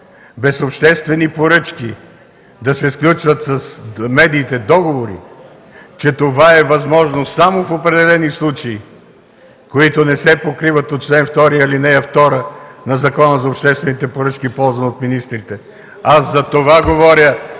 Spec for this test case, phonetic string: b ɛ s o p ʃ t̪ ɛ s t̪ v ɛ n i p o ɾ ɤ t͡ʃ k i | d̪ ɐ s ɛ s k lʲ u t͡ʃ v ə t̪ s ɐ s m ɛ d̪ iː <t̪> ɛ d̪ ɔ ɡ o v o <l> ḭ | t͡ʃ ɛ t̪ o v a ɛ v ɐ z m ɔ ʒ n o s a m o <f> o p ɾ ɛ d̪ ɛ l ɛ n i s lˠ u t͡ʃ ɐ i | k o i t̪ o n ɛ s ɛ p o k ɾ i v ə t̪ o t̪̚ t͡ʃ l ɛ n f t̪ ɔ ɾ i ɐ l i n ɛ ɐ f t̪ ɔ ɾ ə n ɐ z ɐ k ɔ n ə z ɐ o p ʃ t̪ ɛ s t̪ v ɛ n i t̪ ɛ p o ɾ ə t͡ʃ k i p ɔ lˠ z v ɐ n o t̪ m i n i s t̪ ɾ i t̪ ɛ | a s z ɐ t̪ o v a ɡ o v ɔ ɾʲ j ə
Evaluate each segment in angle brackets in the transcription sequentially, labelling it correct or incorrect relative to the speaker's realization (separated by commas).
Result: correct, incorrect, correct